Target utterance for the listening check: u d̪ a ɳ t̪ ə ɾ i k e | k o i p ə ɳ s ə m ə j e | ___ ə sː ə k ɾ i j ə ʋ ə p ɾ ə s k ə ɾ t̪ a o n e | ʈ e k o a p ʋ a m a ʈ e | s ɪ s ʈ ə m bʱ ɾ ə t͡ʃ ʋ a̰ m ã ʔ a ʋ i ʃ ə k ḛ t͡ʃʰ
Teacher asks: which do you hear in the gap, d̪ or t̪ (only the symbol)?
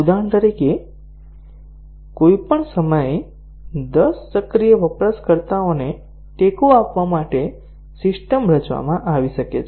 d̪